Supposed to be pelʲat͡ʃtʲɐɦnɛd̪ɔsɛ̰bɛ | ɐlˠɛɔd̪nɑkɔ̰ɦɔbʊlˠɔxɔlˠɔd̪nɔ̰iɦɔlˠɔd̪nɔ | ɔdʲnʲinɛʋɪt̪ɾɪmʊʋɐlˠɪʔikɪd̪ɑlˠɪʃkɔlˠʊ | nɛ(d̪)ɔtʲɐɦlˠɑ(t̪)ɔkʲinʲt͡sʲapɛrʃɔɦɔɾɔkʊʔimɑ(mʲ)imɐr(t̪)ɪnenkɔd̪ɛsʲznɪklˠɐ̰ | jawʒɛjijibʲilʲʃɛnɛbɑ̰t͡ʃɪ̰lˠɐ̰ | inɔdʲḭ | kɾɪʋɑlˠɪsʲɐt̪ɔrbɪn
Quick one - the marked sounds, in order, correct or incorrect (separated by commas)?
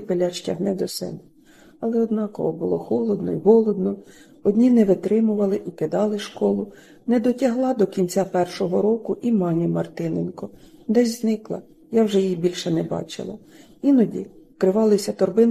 correct, incorrect, incorrect, correct